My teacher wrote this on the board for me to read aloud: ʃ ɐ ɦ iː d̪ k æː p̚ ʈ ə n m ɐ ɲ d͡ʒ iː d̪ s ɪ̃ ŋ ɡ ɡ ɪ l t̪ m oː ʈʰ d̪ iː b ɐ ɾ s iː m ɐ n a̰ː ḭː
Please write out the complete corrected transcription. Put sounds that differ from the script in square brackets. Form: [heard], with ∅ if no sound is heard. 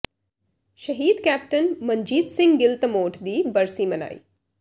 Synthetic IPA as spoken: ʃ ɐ ɦ iː d̪ k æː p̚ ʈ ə n m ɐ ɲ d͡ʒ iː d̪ s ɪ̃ ŋ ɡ ɡ ɪ l t̪ m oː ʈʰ d̪ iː b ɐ ɾ s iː m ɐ n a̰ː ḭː